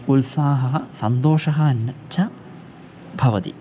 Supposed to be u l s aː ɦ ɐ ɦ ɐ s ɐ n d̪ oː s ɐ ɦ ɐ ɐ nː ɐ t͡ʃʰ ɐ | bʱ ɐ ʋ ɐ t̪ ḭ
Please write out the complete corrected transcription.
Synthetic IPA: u l s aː ɦ ɐ ɦ ɐ s ɐ n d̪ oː ʂ ɐ ɦ ɐ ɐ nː ɐ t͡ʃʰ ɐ | bʱ ɐ ʋ ɐ t̪ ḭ